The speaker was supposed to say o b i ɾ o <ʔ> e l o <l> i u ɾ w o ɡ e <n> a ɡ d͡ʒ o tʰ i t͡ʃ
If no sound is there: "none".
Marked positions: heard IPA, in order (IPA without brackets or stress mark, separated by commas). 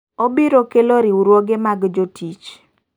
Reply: k, ɾ, m